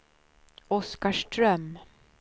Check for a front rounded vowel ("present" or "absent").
present